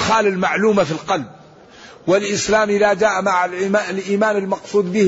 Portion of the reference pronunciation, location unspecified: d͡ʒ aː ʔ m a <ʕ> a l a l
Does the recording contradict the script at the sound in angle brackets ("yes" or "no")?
no